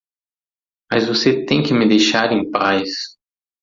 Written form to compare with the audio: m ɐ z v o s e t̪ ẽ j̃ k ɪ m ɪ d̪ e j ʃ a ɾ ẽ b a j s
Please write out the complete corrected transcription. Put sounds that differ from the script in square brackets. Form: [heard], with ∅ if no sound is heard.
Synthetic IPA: m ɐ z v o s e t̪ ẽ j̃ k ɪ m ɪ d̪ e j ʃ a ɾ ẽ [p] a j s